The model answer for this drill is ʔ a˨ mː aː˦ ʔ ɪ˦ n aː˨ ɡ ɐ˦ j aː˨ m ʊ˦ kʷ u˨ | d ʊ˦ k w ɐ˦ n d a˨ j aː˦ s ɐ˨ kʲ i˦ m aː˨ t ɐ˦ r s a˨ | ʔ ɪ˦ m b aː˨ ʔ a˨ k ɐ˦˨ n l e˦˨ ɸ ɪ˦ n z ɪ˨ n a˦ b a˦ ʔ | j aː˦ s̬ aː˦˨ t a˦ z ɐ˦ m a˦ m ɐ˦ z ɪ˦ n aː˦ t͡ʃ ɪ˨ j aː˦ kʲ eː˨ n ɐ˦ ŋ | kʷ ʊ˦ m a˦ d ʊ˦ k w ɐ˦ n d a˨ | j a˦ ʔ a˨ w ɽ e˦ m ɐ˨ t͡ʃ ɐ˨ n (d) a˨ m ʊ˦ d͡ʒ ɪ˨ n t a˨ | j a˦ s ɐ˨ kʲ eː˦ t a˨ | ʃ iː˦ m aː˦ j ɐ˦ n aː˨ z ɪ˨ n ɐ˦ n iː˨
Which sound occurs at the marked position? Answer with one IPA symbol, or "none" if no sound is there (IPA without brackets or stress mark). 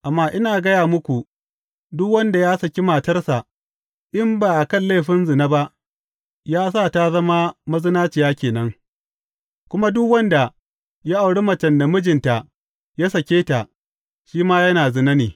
d